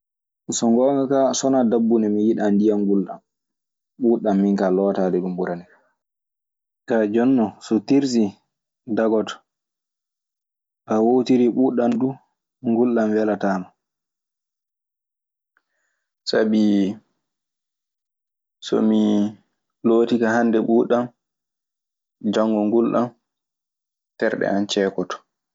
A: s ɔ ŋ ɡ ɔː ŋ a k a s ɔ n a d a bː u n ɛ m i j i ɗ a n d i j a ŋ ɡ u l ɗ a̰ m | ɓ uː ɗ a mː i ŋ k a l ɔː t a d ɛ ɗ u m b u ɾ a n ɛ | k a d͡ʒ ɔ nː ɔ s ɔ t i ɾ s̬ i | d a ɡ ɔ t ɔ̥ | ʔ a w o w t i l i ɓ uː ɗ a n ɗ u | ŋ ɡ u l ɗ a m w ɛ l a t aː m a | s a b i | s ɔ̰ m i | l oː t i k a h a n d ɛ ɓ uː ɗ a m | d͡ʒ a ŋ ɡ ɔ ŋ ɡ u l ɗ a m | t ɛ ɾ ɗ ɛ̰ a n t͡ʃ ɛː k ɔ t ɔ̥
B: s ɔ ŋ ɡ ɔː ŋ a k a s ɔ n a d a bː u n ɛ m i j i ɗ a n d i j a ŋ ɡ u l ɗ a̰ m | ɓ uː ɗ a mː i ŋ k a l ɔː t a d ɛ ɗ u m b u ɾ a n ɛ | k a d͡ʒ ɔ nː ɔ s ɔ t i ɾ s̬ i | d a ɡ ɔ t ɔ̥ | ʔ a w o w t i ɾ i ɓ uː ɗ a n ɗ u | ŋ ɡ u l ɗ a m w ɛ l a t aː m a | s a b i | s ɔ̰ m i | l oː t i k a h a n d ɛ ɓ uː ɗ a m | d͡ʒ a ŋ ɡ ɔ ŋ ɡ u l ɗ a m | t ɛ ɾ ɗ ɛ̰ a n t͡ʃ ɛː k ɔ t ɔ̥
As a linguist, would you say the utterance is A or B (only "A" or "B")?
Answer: B